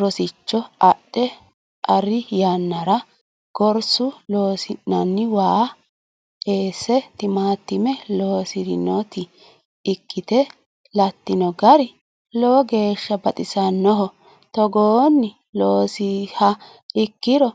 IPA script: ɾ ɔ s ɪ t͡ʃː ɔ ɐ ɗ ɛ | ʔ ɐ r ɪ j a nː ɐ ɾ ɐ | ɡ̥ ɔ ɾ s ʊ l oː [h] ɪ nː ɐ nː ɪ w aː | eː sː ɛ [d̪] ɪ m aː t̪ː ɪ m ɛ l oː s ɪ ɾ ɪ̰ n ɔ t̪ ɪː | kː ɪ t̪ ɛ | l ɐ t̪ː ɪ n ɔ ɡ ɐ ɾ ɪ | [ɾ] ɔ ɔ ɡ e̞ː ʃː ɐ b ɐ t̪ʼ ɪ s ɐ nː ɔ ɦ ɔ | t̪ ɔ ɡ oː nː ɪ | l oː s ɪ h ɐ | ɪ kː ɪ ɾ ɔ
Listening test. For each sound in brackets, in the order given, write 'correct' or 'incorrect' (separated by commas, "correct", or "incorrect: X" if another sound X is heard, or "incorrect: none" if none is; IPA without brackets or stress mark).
incorrect: s, incorrect: t̪, incorrect: l